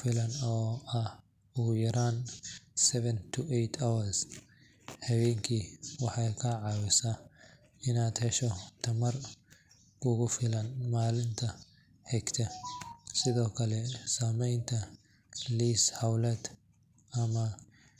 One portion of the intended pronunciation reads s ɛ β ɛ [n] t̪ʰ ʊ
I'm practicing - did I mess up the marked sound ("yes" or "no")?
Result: no